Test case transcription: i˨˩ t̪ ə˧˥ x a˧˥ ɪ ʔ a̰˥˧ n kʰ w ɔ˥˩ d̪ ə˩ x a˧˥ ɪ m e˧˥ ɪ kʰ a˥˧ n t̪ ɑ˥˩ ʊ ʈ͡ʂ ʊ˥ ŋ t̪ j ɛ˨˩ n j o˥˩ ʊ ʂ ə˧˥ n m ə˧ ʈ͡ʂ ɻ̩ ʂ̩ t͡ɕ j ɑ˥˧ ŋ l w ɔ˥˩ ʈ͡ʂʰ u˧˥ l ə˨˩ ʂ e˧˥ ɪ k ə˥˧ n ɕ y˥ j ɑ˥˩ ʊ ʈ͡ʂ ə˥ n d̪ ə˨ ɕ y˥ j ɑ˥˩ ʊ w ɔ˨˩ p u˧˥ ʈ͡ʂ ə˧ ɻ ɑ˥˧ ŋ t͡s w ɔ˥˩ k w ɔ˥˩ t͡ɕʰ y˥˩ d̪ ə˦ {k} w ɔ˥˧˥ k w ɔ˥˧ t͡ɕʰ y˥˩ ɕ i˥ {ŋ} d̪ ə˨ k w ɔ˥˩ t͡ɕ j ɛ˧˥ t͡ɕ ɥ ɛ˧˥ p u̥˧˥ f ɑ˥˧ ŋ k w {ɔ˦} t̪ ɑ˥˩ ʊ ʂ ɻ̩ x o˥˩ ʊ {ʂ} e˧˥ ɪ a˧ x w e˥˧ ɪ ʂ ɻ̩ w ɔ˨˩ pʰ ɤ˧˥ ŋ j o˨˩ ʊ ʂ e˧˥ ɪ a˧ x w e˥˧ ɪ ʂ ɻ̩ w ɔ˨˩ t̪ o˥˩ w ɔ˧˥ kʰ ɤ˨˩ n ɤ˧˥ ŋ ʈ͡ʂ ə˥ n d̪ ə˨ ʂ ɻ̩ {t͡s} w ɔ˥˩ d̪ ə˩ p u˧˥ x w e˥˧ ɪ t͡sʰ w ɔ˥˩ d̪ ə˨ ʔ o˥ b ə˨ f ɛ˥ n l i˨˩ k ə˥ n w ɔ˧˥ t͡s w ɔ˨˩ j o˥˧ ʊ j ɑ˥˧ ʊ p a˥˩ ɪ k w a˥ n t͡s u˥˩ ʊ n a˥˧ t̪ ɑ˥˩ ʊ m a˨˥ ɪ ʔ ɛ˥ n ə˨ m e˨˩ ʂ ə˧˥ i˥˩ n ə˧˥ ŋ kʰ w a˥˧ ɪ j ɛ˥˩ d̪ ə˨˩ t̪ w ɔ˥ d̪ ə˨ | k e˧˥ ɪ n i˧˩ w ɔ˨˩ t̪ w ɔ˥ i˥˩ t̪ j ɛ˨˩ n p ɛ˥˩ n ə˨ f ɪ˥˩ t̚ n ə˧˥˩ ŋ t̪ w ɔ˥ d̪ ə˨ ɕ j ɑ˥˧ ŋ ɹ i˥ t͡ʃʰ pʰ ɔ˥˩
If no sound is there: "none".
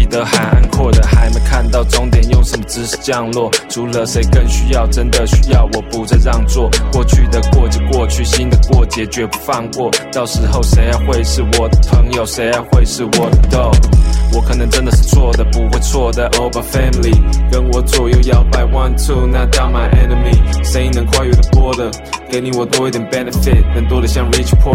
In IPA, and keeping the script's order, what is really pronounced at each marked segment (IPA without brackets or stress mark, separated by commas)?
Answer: k, n, ɔ˥˩, ʂ, t͡sʰ